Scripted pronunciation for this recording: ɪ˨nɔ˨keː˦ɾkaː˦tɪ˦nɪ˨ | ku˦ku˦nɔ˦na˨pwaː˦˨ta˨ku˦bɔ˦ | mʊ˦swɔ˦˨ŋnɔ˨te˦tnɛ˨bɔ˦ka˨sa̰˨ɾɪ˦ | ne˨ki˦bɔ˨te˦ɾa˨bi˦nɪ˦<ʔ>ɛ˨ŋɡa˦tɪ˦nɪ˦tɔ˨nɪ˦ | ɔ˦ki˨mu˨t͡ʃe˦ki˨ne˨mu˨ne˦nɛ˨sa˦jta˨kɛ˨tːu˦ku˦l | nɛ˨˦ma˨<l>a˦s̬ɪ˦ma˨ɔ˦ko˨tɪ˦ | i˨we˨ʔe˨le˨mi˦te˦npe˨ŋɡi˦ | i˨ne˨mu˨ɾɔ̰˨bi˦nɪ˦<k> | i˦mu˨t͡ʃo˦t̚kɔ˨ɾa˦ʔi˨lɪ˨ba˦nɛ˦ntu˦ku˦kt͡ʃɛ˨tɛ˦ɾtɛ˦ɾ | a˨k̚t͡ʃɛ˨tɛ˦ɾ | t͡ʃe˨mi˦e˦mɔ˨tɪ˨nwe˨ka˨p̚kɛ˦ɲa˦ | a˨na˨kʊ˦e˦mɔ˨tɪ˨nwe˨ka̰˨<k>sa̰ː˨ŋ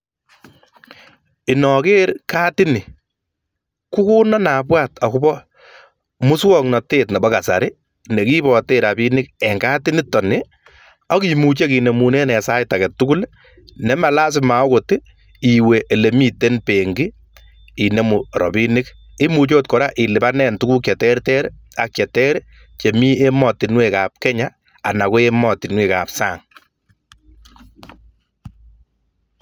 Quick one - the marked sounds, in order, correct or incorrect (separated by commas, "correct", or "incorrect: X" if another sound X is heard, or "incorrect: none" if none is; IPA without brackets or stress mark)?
incorrect: k, correct, correct, incorrect: p